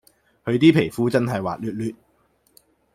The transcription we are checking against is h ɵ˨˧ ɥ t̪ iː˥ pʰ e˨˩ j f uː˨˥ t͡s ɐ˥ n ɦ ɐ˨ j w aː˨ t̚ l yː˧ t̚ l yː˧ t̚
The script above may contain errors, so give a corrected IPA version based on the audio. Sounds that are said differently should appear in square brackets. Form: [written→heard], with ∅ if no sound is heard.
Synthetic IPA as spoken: h ɵ˨˧ ɥ t̪ iː˥ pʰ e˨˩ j f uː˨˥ t͡s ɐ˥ n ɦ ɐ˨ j w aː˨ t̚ l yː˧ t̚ l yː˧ t̚